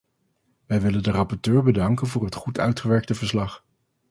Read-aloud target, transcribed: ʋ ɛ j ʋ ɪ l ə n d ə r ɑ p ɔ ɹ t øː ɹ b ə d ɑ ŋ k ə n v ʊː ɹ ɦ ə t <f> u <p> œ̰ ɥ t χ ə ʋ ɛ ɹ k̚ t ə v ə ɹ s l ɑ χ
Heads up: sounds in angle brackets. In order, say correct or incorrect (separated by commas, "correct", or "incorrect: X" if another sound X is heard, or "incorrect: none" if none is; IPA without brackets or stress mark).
incorrect: χ, incorrect: t